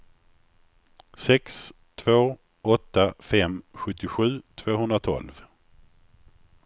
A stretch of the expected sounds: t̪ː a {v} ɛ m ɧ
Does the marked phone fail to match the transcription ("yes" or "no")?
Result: yes